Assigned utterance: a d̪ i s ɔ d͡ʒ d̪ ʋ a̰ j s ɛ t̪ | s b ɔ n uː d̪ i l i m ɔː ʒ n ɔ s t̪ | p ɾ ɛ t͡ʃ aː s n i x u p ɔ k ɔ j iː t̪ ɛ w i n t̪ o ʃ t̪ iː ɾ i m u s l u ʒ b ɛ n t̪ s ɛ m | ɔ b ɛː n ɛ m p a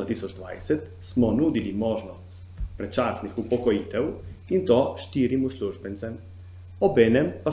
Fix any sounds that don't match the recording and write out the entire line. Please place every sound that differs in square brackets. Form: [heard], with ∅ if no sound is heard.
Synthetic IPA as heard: a [t̪] i s ɔ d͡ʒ d̪ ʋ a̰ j s ɛ t̪ | s [m] ɔ n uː d̪ i l i m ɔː ʒ n ɔ s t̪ | p ɾ ɛ t͡ʃ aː s n i x u p ɔ k ɔ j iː t̪ ɛ w i n t̪ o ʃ t̪ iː ɾ i m u s l u ʒ b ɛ n t̪ s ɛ m | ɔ b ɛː n ɛ m p a